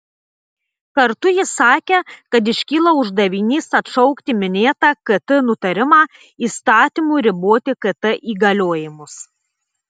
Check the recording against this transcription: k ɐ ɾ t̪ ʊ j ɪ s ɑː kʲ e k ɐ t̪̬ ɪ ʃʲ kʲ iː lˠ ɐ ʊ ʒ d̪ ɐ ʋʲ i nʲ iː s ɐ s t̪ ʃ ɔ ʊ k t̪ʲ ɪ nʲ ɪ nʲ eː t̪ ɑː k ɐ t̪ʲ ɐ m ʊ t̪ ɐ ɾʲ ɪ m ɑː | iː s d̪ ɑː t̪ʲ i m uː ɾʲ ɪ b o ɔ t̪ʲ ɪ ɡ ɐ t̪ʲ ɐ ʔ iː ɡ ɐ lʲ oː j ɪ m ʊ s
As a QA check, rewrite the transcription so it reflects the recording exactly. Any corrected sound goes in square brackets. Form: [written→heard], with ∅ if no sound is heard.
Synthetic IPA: k ɐ ɾ t̪ ʊ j ɪ s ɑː kʲ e k ɐ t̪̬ ɪ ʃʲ kʲ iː lˠ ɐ ʊ ʒ d̪ ɐ ʋʲ i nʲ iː s ɐ [s→∅] t̪ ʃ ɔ ʊ k t̪ʲ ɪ [nʲ→mʲ] ɪ nʲ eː t̪ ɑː k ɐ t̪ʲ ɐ [m→n] ʊ t̪ ɐ ɾʲ ɪ m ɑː | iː s [d̪→t̪] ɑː t̪ʲ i m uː ɾʲ ɪ b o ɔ t̪ʲ ɪ [ɡ→k] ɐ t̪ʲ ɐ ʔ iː ɡ ɐ lʲ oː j ɪ m ʊ s

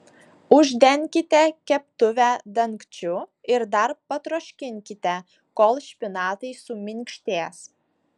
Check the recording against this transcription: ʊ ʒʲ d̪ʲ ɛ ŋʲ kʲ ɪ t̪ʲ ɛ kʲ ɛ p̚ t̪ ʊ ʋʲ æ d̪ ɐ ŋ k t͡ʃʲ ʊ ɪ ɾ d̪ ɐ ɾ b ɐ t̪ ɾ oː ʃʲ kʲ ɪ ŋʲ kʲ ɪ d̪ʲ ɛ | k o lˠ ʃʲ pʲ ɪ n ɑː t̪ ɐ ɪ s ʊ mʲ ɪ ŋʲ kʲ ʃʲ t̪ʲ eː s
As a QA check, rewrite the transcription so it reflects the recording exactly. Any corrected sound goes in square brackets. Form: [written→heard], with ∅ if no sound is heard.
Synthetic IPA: ʊ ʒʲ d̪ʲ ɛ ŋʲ kʲ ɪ t̪ʲ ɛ kʲ ɛ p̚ t̪ ʊ ʋʲ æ d̪ ɐ ŋ k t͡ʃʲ ʊ ɪ ɾ d̪ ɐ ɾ [b→p] ɐ t̪ ɾ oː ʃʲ kʲ ɪ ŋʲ kʲ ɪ [d̪ʲ→t̪ʲ] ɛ | k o lˠ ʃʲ pʲ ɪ n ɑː t̪ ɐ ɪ s ʊ mʲ ɪ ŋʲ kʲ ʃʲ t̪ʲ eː s

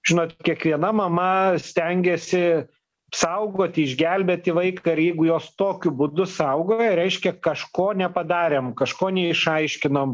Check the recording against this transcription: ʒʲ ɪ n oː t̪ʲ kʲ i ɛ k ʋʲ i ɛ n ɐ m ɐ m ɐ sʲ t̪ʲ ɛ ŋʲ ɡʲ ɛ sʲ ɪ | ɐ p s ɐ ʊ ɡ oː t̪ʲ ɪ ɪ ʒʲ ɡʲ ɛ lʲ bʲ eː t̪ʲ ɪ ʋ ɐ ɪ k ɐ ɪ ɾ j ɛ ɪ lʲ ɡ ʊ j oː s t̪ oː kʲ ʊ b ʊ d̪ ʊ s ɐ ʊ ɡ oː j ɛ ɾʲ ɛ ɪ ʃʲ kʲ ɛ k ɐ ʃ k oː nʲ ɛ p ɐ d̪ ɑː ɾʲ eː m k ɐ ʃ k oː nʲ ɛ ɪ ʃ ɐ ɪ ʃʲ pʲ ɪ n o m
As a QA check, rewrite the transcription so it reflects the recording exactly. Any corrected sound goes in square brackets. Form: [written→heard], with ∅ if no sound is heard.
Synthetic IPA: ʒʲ ɪ n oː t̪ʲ kʲ i ɛ k ʋʲ i ɛ n ɐ m ɐ m ɐ sʲ t̪ʲ ɛ ŋʲ ɡʲ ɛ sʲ ɪ | ɐ p s ɐ ʊ ɡ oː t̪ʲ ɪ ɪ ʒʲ ɡʲ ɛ lʲ bʲ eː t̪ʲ ɪ ʋ ɐ ɪ k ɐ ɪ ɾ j ɛ ɪ [lʲ→∅] ɡ ʊ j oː s t̪ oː kʲ ʊ b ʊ d̪ ʊ s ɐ ʊ ɡ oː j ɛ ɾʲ ɛ ɪ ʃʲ kʲ ɛ k ɐ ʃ k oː nʲ ɛ p ɐ d̪ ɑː ɾʲ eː m k ɐ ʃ k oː nʲ ɛ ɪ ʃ ɐ ɪ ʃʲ [pʲ→kʲ] ɪ n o m

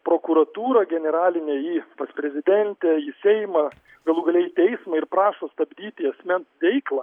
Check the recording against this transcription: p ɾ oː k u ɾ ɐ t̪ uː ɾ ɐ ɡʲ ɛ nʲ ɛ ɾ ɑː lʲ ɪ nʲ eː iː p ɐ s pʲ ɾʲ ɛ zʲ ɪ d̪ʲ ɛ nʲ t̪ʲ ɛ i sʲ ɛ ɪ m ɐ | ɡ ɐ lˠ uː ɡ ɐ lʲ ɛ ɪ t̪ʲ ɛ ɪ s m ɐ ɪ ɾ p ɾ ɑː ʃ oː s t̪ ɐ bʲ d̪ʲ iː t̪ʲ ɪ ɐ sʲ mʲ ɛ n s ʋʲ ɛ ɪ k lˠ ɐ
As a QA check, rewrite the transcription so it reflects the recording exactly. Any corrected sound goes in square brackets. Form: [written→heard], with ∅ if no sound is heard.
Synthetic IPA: p ɾ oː k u ɾ ɐ t̪ uː ɾ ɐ ɡʲ ɛ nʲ ɛ ɾ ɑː lʲ ɪ nʲ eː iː p ɐ s pʲ ɾʲ ɛ zʲ ɪ d̪ʲ ɛ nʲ t̪ʲ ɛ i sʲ ɛ ɪ m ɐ | ɡ ɐ lˠ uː ɡ ɐ lʲ ɛ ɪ t̪ʲ ɛ ɪ s m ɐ ɪ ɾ p ɾ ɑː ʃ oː s t̪ ɐ bʲ d̪ʲ iː t̪ʲ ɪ ɐ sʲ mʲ ɛ n s ʋʲ ɛ ɪ k lˠ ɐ

